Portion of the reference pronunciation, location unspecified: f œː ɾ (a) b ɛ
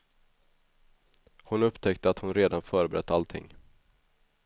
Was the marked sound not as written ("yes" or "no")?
yes